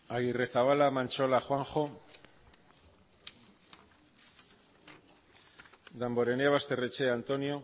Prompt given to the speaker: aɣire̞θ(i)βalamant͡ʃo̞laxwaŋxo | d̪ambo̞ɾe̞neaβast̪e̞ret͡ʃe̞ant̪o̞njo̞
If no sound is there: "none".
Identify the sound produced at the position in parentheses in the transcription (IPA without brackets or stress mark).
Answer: a